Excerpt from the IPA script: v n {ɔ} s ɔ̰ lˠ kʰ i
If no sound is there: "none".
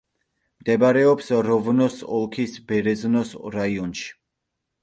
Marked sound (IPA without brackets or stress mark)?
ɔ